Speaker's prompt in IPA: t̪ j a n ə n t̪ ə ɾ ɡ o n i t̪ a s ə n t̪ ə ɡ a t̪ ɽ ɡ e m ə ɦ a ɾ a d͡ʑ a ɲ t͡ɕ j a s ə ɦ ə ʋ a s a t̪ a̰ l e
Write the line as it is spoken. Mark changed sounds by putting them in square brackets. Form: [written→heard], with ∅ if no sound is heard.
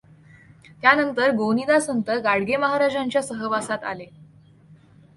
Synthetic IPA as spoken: t̪ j a n ə n t̪ ə ɾ ɡ o n i [t̪→d̪] a s ə n t̪ ə ɡ a [t̪→∅] ɽ ɡ e m ə ɦ a ɾ a d͡ʑ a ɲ t͡ɕ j a s ə ɦ ə ʋ a s a t̪ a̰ l e